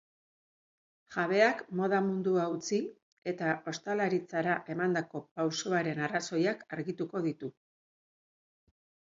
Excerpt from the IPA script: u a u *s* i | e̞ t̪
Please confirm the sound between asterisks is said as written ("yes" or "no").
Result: no